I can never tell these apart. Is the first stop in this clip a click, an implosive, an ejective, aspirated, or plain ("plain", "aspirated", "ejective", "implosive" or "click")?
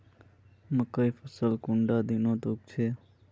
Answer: plain